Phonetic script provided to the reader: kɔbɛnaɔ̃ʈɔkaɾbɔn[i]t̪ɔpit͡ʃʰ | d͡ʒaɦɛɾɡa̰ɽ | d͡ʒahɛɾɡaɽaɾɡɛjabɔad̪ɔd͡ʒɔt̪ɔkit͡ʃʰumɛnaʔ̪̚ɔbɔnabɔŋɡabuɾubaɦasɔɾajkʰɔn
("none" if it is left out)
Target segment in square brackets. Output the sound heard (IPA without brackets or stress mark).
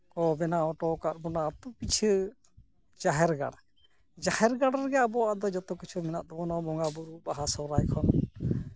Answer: a